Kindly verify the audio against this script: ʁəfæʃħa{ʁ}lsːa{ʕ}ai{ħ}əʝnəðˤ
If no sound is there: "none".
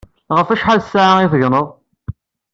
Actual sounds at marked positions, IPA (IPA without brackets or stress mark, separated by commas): none, ʕ, θ